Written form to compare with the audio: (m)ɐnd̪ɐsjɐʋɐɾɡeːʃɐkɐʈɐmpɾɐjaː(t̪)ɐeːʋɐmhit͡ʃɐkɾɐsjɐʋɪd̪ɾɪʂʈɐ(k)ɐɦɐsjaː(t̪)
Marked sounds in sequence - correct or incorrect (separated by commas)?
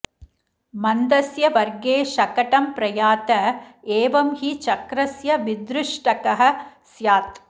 correct, correct, correct, correct